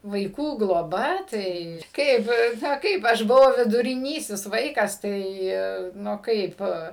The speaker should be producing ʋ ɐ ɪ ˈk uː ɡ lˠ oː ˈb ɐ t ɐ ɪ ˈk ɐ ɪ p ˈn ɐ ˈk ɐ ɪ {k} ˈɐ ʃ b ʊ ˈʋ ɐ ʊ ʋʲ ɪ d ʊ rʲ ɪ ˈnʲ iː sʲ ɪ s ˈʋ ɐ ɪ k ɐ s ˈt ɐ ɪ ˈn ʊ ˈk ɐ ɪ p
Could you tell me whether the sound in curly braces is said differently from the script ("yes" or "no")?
yes